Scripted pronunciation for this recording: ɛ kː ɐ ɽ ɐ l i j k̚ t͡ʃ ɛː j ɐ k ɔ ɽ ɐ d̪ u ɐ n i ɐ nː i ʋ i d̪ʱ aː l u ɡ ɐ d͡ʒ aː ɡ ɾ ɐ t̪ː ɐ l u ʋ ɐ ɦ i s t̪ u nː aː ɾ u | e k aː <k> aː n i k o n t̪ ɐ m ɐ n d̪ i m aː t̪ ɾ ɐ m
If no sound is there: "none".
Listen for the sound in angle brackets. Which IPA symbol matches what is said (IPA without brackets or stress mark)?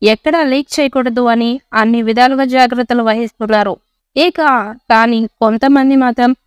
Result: k